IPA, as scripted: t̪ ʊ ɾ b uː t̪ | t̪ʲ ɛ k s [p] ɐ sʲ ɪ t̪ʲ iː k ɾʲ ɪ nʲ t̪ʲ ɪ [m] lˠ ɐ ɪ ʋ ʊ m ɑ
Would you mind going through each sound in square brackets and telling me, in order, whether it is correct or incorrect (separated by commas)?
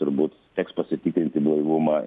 correct, incorrect